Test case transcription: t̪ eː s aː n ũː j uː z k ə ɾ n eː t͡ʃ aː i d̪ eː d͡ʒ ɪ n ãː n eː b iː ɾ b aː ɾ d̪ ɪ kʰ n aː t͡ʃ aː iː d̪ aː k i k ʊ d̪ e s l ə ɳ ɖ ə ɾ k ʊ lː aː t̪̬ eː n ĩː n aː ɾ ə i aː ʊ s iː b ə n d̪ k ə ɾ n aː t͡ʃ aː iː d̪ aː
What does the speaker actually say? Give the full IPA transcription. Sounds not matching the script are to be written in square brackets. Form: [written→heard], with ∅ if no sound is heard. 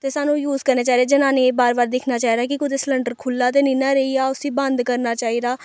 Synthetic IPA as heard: t̪ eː s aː n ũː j uː z k ə ɾ n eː t͡ʃ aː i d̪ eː d͡ʒ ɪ n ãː n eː b [iː→aː] ɾ b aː ɾ d̪ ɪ kʰ n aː t͡ʃ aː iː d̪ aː k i k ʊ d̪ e s l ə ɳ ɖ ə ɾ [k→kʰ] ʊ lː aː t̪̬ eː n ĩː n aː ɾ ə i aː ʊ s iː b ə n d̪ k ə ɾ n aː t͡ʃ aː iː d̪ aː